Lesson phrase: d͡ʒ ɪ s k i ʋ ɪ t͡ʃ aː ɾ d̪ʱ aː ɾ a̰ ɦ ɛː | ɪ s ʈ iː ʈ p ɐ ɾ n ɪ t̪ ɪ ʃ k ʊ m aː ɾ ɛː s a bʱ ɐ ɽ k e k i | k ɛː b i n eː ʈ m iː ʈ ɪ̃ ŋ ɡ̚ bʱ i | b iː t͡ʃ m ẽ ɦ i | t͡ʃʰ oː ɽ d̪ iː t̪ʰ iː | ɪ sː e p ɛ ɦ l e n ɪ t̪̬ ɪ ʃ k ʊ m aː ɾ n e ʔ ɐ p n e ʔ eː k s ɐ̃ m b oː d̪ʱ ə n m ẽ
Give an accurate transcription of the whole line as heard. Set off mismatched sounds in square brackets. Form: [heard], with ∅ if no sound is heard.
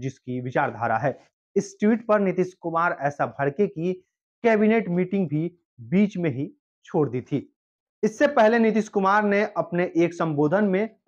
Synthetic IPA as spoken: d͡ʒ ɪ s k i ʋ ɪ t͡ʃ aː ɾ d̪ʱ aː ɾ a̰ ɦ ɛː | ɪ s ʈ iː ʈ p ɐ ɾ n ɪ t̪ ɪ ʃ k ʊ m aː ɾ ɛː s a bʱ ɐ ɽ k e k i | k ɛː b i n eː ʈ m iː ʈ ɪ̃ ŋ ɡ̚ bʱ i | b iː t͡ʃ m ẽ ɦ i | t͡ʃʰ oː ɽ d̪ iː t̪ʰ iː | ɪ sː e p ɛ ɦ l e n ɪ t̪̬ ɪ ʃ k ʊ m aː ɾ n e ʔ ɐ p n e ʔ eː k s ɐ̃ m b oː d̪ʱ ə n m ẽ